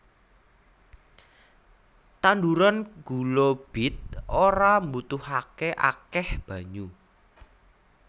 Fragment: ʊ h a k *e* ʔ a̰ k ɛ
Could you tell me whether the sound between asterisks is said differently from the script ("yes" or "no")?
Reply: no